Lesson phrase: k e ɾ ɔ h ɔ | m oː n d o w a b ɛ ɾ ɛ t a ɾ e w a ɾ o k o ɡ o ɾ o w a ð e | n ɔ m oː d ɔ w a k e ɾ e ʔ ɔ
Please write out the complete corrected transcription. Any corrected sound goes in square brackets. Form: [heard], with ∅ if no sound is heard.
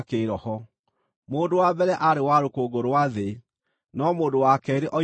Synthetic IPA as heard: k e ɾ ɔ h ɔ | m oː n d o w a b ɛ ɾ ɛ [ʔ] a ɾ e w a ɾ o k o ɡ o ɾ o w a ð e | n ɔ m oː d [o] w a k [ɛ] ɾ e ʔ ɔ